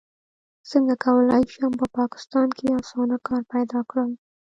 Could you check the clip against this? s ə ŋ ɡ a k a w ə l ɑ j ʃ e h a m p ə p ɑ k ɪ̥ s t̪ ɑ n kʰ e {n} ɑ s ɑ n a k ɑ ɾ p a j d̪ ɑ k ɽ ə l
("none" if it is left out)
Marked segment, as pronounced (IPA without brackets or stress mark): none